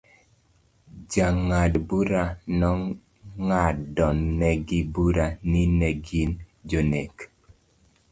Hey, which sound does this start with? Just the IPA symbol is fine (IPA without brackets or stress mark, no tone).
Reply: d͡ʒ